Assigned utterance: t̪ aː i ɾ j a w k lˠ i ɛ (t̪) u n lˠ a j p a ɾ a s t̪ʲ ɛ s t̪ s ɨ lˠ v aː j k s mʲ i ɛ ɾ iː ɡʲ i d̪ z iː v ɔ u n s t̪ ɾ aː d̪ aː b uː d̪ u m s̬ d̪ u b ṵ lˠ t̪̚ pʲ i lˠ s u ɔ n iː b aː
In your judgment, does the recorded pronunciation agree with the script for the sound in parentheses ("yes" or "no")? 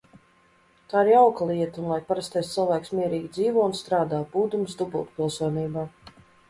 yes